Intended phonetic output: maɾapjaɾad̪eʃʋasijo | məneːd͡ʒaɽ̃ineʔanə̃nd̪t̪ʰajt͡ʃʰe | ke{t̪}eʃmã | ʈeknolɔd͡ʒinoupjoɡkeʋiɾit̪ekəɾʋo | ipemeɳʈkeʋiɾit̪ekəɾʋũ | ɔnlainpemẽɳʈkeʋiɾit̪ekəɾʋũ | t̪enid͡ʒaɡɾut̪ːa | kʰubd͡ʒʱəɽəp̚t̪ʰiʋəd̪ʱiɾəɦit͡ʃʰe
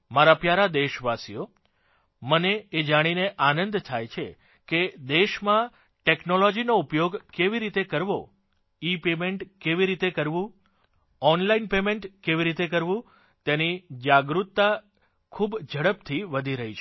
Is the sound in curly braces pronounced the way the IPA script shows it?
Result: no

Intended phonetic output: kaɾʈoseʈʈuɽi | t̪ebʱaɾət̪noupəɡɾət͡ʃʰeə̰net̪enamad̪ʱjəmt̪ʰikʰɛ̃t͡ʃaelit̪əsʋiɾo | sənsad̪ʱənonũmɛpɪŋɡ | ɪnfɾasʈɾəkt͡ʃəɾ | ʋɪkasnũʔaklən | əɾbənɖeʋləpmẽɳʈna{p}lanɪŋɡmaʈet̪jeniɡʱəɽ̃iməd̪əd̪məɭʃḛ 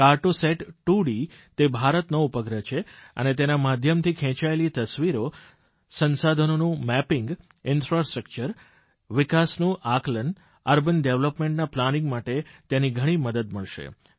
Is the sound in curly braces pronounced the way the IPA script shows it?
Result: yes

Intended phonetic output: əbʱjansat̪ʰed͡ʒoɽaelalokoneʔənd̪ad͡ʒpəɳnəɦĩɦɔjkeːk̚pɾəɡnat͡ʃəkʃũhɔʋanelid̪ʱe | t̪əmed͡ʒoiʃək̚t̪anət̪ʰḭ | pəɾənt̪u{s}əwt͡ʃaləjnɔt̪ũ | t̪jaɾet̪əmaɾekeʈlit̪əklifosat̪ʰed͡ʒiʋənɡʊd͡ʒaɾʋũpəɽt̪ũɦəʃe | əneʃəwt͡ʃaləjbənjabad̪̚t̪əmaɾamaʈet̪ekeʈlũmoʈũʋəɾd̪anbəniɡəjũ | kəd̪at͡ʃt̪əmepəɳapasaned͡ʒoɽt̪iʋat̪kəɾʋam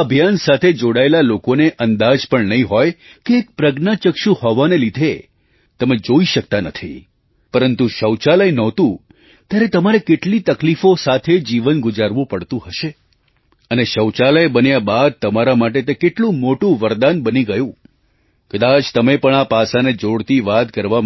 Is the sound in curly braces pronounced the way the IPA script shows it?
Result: no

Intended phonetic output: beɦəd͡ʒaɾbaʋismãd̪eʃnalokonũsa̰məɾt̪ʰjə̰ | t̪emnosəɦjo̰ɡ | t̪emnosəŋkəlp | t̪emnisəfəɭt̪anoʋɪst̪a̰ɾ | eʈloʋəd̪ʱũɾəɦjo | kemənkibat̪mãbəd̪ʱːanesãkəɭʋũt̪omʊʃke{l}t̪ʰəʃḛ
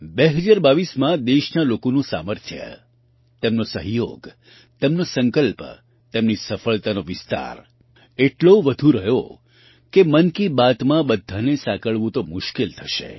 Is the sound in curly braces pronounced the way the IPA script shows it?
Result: yes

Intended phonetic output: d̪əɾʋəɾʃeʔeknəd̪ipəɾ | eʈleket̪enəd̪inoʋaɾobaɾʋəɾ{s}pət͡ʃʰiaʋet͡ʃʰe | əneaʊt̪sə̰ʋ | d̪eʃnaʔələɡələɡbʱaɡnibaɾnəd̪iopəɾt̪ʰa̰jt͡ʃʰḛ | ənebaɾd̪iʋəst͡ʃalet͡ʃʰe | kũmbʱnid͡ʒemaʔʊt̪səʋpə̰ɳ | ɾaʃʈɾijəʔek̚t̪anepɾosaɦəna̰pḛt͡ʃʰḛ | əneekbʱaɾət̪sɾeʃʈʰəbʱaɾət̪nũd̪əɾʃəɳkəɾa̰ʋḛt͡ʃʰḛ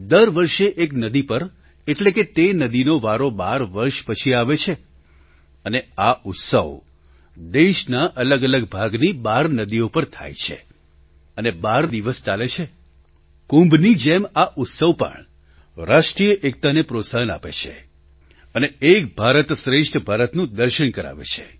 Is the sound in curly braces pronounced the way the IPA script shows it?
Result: no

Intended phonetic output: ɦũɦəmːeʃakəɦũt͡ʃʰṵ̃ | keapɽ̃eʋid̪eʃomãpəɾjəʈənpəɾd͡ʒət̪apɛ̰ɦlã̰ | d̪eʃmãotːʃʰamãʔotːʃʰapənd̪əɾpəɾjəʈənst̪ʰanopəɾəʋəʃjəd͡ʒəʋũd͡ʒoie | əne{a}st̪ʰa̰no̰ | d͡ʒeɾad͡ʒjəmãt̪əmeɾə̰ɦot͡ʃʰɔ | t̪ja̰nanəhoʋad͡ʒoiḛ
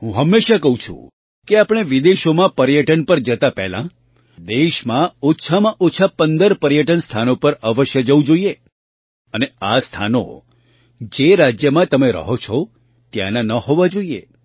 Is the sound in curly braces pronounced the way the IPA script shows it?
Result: yes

